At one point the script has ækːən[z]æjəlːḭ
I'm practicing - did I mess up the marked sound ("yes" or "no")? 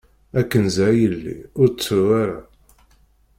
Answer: no